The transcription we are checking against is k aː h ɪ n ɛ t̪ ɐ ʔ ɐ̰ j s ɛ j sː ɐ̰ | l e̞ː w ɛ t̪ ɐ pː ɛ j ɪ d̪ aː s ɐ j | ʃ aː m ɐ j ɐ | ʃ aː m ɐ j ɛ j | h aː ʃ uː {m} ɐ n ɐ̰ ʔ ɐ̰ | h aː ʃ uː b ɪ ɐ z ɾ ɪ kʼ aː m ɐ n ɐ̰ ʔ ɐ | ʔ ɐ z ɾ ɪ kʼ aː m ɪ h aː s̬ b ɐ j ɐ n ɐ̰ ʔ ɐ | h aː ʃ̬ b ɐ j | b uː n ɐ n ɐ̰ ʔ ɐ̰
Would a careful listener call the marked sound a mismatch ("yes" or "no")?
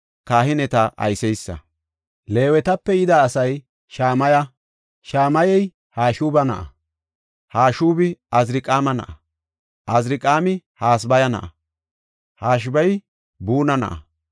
yes